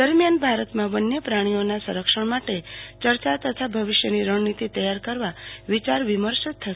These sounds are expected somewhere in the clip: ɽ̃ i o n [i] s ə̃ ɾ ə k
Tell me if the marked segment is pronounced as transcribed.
no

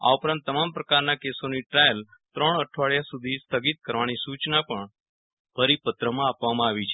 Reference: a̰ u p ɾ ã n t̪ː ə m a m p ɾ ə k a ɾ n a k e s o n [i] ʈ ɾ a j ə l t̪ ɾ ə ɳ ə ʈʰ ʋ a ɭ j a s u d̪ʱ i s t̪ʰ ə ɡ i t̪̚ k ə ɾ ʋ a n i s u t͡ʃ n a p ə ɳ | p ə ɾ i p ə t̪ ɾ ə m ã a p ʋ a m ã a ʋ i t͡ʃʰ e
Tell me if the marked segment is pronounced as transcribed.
yes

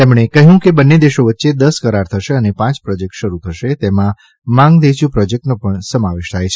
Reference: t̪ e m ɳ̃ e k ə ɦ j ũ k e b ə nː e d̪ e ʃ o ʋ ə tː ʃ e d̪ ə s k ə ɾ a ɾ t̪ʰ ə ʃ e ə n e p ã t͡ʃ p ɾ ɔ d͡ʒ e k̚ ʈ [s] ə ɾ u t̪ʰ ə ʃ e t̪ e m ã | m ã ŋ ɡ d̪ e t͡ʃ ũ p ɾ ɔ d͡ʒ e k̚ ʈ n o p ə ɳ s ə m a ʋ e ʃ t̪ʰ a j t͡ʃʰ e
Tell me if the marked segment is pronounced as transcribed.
no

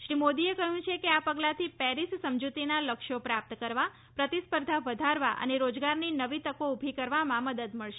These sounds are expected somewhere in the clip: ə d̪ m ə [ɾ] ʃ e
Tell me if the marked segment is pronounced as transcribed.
no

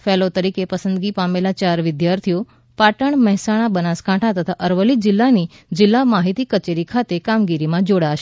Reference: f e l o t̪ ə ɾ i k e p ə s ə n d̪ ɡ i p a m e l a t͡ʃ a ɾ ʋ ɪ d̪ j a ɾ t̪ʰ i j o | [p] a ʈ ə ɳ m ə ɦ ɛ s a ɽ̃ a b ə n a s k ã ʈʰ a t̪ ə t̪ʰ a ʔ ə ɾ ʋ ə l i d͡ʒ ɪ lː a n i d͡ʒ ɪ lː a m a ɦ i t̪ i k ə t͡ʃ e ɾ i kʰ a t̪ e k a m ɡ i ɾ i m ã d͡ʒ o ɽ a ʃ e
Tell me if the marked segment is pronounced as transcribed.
yes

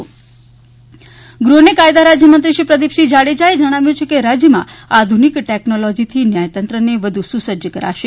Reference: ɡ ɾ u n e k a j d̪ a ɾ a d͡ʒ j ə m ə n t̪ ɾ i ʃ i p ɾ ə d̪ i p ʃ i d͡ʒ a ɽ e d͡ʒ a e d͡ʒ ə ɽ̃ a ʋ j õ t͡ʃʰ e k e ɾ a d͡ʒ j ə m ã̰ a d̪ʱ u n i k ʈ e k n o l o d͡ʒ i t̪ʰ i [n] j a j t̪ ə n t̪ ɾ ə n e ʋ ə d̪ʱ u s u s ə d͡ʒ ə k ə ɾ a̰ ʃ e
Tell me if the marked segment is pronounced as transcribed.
yes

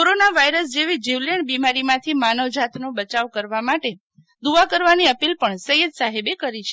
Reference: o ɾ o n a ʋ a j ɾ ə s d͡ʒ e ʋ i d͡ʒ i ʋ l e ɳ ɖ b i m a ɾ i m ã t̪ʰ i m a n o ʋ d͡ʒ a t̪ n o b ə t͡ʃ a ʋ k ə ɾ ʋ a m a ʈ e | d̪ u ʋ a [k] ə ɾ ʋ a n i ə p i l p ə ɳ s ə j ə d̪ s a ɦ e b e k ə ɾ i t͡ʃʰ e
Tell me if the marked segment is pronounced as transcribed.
yes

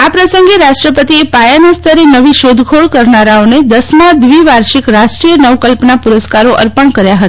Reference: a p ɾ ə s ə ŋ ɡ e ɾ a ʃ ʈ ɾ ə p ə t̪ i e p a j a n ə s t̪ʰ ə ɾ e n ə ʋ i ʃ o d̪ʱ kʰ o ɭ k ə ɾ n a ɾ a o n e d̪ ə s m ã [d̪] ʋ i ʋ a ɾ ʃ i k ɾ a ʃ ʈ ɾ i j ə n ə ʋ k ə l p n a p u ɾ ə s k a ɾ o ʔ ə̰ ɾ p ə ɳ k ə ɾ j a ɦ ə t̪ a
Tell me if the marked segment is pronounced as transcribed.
yes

